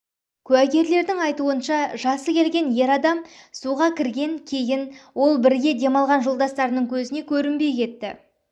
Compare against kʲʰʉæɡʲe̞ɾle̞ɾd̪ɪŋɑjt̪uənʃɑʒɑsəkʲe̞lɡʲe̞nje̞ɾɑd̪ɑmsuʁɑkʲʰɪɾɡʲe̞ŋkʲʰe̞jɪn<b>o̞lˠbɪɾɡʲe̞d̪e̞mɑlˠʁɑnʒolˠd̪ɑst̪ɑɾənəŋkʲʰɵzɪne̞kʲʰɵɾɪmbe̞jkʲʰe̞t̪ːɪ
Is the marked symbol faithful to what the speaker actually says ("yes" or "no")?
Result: no